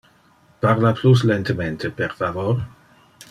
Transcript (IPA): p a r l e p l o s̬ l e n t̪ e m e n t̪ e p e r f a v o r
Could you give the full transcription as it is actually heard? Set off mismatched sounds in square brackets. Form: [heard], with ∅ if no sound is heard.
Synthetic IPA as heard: p a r l [a] p l [u] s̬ l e n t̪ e m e n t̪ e p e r f a v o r